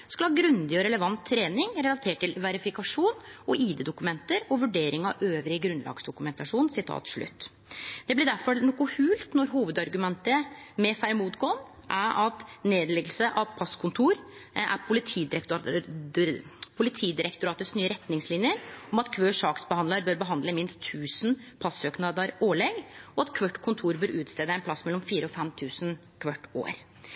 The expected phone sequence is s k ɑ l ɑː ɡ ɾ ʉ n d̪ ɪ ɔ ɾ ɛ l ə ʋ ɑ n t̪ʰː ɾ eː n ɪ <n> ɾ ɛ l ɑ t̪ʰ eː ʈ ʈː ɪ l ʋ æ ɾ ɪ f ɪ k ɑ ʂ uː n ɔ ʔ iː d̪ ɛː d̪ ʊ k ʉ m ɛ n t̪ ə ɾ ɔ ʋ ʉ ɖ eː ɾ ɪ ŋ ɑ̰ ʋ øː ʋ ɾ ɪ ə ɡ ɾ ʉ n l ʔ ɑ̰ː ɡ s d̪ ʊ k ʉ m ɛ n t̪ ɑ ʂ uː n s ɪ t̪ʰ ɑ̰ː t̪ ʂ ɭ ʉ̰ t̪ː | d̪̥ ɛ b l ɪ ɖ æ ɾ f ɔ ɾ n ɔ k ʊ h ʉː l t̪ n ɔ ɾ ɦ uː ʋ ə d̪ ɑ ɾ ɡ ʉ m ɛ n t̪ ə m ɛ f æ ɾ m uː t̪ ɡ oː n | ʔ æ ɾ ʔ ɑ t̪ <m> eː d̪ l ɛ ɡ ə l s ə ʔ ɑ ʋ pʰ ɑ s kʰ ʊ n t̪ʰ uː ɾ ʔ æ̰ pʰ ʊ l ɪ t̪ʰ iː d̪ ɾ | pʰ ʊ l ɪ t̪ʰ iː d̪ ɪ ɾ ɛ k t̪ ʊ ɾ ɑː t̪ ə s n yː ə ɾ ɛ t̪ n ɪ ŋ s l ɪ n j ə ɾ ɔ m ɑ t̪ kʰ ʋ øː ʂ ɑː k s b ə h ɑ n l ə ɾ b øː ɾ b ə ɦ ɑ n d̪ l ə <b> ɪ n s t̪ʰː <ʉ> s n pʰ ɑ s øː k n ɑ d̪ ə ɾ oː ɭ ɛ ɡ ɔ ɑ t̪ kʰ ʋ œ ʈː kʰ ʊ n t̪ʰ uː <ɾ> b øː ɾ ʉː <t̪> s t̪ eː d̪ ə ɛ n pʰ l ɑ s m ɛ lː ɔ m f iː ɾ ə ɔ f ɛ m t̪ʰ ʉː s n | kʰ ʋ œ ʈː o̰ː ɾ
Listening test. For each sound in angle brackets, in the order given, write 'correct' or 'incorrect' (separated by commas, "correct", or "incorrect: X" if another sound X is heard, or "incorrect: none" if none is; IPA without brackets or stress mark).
incorrect: ŋ, incorrect: n, incorrect: m, incorrect: ʉː, correct, correct